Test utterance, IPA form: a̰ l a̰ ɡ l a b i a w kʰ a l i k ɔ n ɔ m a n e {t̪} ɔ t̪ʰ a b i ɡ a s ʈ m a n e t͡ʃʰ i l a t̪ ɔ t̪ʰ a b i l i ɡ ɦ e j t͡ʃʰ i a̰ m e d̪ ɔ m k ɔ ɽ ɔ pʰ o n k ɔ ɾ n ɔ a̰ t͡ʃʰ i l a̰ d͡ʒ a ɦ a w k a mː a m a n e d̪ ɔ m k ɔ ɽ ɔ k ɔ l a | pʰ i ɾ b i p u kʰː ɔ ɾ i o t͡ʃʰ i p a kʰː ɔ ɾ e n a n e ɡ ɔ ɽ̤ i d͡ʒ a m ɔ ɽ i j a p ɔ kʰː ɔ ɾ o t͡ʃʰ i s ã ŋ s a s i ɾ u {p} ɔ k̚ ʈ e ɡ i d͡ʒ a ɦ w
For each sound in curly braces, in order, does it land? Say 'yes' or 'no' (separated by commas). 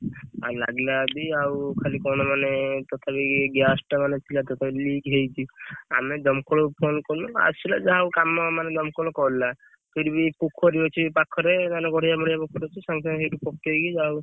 yes, yes